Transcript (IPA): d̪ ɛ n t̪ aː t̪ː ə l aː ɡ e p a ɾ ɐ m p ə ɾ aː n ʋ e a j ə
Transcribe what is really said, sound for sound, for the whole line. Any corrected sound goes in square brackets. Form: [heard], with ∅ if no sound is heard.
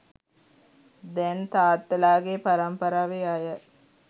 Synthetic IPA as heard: d̪ ɛ n t̪ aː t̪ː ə l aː ɡ e p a ɾ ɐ m p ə ɾ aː [∅] ʋ e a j ə